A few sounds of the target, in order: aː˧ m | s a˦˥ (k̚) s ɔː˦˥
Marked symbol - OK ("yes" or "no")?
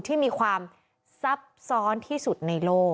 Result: no